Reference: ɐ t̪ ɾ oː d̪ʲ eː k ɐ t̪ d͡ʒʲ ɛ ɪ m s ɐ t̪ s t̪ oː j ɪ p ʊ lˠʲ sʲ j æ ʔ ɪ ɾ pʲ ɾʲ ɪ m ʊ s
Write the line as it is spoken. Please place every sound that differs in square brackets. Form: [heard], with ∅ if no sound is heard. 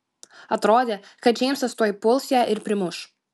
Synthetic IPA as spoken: ɐ t̪ ɾ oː d̪ʲ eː k ɐ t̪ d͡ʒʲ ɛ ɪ m s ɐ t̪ s t̪ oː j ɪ p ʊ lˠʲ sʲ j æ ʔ ɪ ɾ pʲ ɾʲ ɪ m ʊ [ʃ]